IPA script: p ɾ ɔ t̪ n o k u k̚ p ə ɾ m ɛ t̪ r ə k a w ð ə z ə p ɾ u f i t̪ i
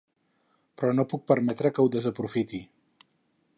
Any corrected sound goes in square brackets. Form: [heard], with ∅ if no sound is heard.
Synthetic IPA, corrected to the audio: p ɾ ɔ [∅] n o [p] u k̚ p ə ɾ m ɛ t̪ [ɾ] ə k [ə] w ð ə z ə p ɾ u f i t̪ i